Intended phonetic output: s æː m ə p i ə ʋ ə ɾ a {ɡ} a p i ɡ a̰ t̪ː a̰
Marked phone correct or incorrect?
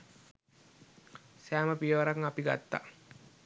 incorrect